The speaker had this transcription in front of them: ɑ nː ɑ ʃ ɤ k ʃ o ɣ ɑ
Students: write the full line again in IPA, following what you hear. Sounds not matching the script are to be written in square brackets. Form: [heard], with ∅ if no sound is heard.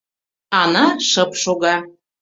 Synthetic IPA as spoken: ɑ [n] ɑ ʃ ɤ [p] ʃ o ɣ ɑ